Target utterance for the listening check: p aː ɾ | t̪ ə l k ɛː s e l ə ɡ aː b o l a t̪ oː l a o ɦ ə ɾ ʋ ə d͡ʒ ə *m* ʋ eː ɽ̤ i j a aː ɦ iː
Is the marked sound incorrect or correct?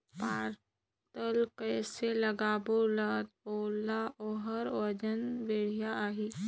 incorrect